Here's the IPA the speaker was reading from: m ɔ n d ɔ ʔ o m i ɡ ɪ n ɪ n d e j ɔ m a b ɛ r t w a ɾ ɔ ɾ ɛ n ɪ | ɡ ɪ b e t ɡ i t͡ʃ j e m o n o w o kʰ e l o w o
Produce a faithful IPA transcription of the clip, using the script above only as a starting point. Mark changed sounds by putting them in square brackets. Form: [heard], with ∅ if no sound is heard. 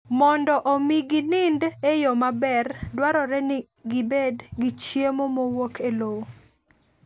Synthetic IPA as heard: m ɔ n d ɔ ʔ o m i ɡ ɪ n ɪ n d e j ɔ m a b ɛ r [d] w a ɾ ɔ ɾ ɛ n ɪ | ɡ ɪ b e [d] ɡ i t͡ʃ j e m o [m] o w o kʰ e l o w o

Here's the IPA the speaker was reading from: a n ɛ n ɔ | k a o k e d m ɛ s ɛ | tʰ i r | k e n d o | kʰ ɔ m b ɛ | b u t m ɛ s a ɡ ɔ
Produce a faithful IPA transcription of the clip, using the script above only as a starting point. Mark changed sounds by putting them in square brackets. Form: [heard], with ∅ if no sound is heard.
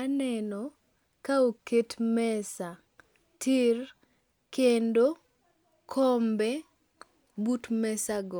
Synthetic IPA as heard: a n ɛ n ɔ | k a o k e [t] m ɛ s [a] | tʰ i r | k e n d o | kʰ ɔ m b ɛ | b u t m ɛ s a ɡ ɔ

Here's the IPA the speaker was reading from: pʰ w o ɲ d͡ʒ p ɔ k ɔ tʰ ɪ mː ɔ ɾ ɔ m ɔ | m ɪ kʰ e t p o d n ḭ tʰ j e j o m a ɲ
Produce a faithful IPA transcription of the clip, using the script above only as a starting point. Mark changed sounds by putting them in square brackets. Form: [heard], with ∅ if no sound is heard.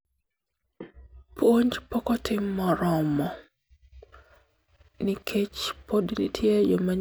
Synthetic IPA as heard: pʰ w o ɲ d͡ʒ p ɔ k ɔ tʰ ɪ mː ɔ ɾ ɔ m ɔ | [n] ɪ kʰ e [t͡ʃ] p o d n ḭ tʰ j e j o m a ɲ

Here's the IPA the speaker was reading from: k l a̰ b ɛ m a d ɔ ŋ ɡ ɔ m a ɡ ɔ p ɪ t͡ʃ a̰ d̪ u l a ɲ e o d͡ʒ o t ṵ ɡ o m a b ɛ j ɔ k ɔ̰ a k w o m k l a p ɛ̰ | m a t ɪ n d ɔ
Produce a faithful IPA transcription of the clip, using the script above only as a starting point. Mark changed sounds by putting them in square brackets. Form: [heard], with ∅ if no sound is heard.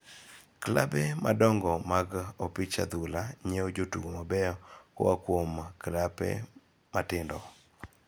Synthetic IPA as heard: k l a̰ b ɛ m a d ɔ ŋ ɡ ɔ m a ɡ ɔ p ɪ t͡ʃ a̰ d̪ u l a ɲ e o d͡ʒ o t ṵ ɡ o m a b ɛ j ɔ k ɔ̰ a k w o m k l a p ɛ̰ | m a t ɪ n d ɔ

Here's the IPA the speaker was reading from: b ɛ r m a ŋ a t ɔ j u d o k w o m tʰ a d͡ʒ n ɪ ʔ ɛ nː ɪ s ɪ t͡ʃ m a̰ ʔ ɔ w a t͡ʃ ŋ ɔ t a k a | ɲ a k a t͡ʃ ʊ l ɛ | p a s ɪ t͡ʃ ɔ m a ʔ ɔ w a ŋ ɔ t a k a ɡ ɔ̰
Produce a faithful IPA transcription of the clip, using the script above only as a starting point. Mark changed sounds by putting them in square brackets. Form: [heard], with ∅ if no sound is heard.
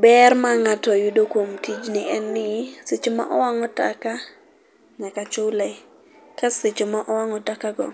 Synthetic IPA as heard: b ɛ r m a ŋ a t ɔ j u d o k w o m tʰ [i] d͡ʒ n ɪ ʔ ɛ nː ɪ s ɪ t͡ʃ m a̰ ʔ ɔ w a [∅] ŋ ɔ t a k a | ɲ a k a t͡ʃ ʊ l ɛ | [k] a s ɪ t͡ʃ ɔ m a ʔ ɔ w a ŋ ɔ t a k a ɡ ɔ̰

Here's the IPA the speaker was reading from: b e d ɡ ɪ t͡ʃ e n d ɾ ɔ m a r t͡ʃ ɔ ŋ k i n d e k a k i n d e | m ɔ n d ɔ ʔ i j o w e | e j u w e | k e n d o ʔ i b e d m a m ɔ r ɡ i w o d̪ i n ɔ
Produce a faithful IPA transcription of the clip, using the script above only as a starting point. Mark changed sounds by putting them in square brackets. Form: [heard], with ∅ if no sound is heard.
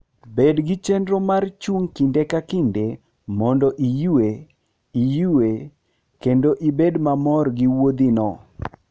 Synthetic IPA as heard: b e d ɡ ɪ t͡ʃ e n d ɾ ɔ m a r t͡ʃ [u] ŋ k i n d e k a k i n d e | m ɔ n d ɔ ʔ i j [u] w e | [i] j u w e | k e n d o ʔ i b e d m a m ɔ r ɡ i w o d̪ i n ɔ

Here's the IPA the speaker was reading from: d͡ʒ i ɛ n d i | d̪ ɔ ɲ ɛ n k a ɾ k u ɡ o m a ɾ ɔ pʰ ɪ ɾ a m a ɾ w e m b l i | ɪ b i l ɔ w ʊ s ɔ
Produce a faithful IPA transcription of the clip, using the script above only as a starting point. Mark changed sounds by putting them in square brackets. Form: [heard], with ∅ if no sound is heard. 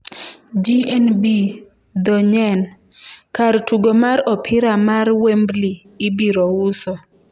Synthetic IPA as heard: d͡ʒ i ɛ n [b] i | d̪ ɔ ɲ ɛ n k a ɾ [t] u ɡ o m a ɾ ɔ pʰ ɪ ɾ a m a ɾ w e m b l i | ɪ b i [ɾ] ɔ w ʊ s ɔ

